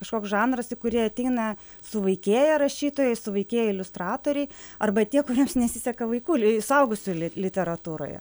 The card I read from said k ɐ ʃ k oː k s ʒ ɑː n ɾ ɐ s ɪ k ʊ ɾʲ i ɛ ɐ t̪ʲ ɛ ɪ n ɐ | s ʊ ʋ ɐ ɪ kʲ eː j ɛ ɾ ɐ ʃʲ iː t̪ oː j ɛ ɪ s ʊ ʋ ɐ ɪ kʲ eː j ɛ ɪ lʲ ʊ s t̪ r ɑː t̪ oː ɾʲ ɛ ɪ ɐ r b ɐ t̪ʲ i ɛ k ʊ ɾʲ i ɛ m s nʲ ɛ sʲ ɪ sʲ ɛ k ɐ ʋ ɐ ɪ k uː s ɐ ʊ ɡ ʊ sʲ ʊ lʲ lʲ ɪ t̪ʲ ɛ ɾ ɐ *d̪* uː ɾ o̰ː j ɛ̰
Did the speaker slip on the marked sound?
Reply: yes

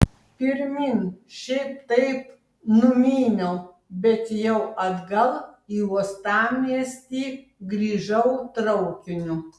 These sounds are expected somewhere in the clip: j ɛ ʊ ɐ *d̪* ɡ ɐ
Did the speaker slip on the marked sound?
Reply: no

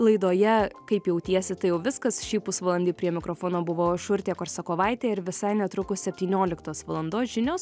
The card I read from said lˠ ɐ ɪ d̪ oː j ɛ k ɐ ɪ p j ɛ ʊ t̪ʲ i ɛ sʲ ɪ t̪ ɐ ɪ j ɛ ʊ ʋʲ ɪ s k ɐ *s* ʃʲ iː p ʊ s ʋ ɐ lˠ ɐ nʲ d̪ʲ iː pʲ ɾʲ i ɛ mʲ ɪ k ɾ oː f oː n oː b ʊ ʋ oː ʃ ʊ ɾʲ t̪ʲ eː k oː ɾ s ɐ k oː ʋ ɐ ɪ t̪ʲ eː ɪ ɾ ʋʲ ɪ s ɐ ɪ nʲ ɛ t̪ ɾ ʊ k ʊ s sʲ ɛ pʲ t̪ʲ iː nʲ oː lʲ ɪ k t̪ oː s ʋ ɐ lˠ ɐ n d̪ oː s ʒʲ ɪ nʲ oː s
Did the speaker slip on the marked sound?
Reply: no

